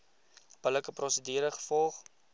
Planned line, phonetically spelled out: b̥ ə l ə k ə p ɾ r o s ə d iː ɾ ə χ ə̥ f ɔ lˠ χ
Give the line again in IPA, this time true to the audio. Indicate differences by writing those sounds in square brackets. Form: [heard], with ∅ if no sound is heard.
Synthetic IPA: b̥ ə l ə k ə p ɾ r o s ə d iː ɾ ə χ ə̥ f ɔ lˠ χ

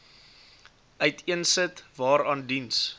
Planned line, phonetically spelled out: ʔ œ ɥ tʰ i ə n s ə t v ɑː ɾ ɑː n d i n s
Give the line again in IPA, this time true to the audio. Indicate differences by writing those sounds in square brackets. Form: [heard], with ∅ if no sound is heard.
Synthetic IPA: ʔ œ ɥ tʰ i ə n s ə t v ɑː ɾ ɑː n d i n s

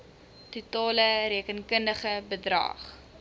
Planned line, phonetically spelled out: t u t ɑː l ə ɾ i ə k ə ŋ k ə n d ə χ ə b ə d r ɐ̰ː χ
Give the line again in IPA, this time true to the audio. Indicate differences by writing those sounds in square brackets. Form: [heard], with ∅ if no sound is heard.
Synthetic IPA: t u t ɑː l ə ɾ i ə k ə [n] k ə n d ə χ ə b ə d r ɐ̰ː χ

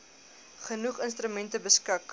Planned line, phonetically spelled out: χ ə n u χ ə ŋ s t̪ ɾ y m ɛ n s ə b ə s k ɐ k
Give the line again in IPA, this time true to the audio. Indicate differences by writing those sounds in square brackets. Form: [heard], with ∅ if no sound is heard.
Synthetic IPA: χ ə n u χ ə [n] s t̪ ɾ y m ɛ n [t] ə b ə s k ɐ k

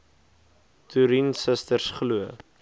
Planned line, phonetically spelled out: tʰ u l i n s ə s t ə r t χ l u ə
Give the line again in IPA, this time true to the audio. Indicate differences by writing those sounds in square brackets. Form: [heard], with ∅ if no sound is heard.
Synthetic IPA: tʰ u [ɾ] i n s ə s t ə r [s] χ l u ə

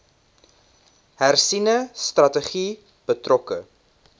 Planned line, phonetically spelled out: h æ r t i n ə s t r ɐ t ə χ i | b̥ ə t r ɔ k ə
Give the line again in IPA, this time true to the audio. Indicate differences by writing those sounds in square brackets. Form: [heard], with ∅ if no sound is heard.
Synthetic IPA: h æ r [s] i n ə s t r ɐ t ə χ i | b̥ ə t r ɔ k ə

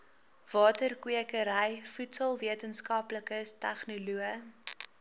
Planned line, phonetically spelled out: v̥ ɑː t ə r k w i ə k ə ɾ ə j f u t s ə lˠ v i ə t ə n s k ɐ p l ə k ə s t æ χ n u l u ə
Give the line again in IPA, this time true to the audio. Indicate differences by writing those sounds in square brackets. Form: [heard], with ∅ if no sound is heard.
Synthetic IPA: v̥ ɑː t ə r k w i ə k ə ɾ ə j f u t s ə lˠ v i ə t ə n s k ɐ p l ə k ə s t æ χ n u l u ə

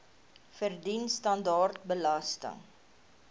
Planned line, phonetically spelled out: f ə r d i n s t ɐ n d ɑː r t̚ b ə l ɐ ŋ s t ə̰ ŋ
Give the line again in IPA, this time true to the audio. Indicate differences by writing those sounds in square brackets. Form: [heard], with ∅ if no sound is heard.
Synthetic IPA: f ə r d i n s t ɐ n d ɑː r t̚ b ə l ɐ [∅] s t ə̰ ŋ

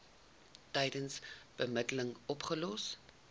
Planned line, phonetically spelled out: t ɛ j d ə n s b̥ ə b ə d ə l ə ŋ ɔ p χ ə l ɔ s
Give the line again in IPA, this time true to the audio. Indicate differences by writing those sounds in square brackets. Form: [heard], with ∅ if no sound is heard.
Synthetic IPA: t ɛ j d ə n s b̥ ə [m] ə d ə l ə ŋ ɔ p χ ə l ɔ s

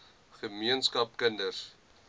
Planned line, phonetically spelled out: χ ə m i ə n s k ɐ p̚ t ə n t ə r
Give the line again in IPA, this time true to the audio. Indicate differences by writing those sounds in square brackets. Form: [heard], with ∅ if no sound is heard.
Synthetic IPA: χ ə m i ə n s k ɐ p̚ [k] ə n [d] ə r

